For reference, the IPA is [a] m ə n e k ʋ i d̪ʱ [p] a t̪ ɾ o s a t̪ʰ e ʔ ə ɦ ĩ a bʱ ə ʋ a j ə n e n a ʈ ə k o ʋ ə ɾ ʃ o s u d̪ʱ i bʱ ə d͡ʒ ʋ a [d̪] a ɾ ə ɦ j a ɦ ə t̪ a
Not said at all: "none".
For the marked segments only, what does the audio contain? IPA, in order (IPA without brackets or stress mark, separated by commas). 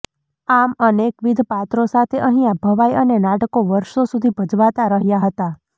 a, p, t̪